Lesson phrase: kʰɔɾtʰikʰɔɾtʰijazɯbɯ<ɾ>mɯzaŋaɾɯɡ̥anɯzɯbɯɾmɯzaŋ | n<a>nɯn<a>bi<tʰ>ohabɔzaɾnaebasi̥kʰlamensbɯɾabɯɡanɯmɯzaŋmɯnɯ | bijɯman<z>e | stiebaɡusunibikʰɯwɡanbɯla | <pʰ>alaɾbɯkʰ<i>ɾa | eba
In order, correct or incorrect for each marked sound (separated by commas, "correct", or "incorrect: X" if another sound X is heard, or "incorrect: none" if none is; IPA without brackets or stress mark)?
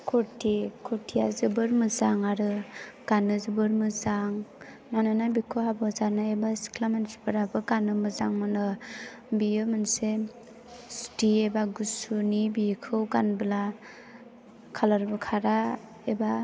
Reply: correct, correct, correct, incorrect: kʰ, incorrect: s, incorrect: kʰ, incorrect: a